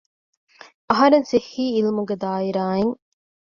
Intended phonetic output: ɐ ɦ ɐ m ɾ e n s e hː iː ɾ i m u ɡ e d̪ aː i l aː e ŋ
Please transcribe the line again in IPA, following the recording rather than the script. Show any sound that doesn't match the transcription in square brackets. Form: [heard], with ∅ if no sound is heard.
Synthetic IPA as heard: ɐ ɦ ɐ [∅] ɾ e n s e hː iː [l] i m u ɡ e d̪ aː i [ɾ] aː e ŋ